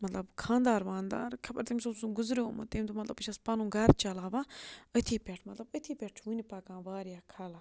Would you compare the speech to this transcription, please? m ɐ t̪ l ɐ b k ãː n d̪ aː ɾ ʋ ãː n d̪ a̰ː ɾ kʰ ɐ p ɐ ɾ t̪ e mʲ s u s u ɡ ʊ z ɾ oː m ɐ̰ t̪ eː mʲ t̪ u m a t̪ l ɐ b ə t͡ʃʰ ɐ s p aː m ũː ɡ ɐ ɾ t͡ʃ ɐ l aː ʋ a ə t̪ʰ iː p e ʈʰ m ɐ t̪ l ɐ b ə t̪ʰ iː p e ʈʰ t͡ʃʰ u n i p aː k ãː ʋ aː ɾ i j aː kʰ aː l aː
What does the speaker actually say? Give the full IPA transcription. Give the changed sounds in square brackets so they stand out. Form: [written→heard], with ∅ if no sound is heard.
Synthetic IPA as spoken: m ɐ t̪ l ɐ b [k→kʰ] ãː n d̪ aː ɾ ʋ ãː n d̪ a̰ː ɾ kʰ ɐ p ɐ ɾ t̪ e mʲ s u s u ɡ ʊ z ɾ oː m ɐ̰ t̪ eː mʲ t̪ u m [a→ɐ] t̪ l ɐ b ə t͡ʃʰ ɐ s p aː [m→n] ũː ɡ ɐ ɾ t͡ʃ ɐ l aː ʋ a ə t̪ʰ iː p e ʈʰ m ɐ t̪ l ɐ b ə t̪ʰ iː p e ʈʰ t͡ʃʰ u n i p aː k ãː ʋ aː ɾ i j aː kʰ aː l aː